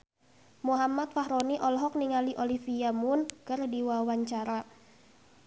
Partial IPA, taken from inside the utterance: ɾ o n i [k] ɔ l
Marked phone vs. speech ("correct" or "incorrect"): incorrect